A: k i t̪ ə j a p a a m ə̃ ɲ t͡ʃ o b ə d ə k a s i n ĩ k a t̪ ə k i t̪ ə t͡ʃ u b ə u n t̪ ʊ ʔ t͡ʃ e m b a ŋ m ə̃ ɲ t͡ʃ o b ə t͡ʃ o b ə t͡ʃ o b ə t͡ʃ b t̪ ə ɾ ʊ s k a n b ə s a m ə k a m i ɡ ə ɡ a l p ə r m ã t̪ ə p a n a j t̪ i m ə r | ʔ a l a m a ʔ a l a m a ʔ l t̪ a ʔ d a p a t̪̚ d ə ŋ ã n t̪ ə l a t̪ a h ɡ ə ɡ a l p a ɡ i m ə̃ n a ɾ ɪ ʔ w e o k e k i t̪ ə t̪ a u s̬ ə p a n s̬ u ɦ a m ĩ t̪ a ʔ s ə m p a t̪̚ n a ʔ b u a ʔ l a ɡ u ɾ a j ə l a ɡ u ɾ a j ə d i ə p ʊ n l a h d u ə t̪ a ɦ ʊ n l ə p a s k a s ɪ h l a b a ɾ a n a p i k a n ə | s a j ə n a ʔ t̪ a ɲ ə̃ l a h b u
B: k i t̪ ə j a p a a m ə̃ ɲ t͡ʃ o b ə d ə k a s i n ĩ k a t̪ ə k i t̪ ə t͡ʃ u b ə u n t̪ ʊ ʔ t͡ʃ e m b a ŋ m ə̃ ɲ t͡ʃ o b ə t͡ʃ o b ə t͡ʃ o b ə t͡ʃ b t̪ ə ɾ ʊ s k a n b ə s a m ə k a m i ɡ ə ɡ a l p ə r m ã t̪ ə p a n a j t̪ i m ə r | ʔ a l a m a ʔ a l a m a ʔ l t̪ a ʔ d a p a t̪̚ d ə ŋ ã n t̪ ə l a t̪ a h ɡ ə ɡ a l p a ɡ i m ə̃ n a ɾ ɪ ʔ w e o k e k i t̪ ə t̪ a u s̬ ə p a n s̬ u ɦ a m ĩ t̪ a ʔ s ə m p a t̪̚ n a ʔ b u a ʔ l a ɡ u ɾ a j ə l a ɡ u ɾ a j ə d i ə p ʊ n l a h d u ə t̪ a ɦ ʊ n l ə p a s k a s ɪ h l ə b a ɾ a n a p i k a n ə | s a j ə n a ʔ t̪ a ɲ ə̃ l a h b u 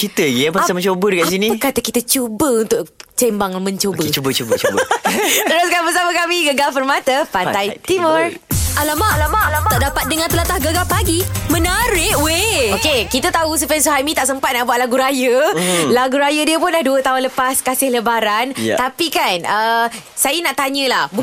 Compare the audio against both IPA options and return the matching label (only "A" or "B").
B